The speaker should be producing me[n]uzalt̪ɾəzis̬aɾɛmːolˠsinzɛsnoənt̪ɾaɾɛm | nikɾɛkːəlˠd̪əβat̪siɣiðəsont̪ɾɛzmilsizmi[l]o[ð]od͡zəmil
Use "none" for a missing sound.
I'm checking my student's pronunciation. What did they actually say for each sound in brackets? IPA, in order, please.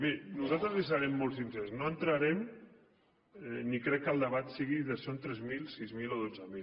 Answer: n, l, ð

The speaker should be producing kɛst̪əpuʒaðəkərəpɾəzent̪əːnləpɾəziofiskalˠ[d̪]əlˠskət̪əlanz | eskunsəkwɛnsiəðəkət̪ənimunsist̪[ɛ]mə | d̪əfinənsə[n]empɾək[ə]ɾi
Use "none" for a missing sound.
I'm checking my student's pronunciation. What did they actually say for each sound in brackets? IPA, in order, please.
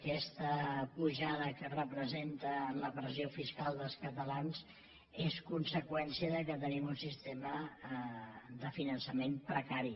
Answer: d̪, e, m, a

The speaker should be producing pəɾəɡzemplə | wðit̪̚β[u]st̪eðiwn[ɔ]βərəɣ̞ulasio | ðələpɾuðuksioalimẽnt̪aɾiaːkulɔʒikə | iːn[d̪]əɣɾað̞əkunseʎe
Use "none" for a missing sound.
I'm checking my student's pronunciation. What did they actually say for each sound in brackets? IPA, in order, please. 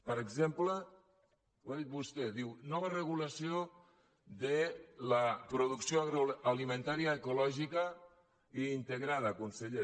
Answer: u, ɔ, t̪

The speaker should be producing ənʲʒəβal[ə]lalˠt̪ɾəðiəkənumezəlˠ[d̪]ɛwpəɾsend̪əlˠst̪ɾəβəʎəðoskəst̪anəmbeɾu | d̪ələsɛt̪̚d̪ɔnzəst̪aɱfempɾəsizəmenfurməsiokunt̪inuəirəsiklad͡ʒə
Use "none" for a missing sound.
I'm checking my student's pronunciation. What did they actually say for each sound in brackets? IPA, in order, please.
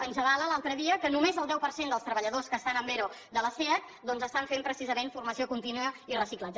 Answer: ə, d̪

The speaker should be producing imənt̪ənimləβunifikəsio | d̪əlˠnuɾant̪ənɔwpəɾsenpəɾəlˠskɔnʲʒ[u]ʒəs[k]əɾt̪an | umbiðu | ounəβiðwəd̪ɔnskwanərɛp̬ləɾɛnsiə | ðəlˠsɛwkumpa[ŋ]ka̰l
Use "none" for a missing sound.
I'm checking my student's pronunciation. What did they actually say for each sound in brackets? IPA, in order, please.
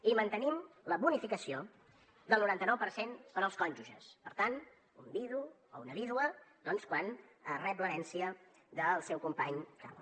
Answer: u, p, ɲ

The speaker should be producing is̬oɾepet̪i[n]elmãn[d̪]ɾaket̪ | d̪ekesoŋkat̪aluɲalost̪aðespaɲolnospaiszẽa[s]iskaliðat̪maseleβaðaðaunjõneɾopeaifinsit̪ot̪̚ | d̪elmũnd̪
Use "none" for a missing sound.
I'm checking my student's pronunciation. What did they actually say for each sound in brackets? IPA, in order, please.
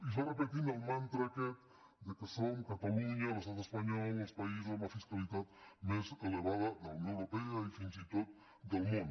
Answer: n, t̪, f

